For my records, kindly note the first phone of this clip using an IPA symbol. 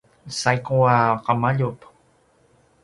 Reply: s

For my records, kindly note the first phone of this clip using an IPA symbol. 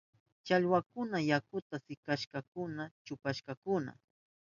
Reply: t͡ʃ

